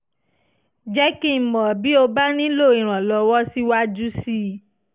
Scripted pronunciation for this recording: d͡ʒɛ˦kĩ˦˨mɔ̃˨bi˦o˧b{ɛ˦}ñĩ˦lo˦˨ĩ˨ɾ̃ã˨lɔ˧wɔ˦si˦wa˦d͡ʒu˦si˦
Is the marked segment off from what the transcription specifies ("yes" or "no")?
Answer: yes